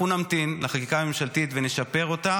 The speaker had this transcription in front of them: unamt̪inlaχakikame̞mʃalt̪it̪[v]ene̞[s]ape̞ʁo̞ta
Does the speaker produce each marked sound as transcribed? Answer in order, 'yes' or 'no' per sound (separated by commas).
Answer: yes, no